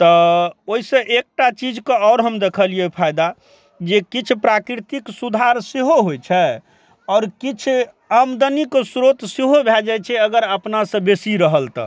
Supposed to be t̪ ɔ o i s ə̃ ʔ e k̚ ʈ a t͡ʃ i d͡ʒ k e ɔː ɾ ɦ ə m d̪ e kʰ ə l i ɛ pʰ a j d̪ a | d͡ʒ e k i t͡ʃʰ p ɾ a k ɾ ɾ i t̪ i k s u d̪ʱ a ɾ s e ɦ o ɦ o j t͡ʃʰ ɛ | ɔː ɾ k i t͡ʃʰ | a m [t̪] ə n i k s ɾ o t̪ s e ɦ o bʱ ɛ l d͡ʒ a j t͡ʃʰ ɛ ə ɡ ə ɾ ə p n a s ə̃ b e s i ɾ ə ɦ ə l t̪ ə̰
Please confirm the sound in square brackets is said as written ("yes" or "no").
no